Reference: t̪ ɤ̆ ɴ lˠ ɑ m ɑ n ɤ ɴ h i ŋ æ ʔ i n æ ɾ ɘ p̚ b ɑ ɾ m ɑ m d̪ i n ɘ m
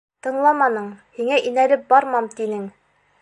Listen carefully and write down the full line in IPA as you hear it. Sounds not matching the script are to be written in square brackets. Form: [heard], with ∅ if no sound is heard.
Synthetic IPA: t̪ ɤ̆ ɴ lˠ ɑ m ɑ n ɤ ɴ h i ŋ æ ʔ i n æ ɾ ɘ p̚ b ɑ ɾ m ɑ m [t̪] i n ɘ [ŋ]